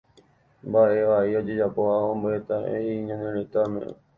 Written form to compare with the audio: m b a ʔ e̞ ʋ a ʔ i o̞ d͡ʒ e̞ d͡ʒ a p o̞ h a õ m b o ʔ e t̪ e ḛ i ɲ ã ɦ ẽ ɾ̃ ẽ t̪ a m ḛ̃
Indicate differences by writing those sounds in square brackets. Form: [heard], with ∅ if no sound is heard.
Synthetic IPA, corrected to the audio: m b a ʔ e̞ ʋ a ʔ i o̞ d͡ʒ e̞ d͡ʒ a p o̞ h a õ m b o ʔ e t̪ [a] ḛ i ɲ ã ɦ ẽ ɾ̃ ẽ t̪ a m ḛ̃